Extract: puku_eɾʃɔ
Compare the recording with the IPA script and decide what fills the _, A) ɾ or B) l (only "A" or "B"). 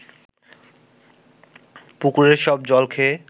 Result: A